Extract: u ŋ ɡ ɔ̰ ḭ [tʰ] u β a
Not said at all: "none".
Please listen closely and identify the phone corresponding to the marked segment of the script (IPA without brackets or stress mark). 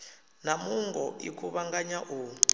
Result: kʰ